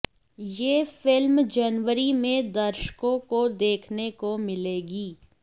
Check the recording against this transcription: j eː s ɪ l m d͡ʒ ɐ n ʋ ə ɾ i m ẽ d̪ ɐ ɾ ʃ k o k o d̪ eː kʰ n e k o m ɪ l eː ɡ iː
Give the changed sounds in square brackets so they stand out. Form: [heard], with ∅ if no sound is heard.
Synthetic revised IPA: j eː [f] ɪ l m d͡ʒ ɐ n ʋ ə ɾ i m ẽ d̪ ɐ ɾ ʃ k [õ] k o d̪ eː kʰ n e k o m ɪ l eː ɡ iː